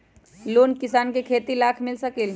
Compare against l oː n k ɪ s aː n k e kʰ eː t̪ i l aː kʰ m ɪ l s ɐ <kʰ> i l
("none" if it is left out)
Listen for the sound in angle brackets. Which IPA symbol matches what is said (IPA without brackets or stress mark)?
k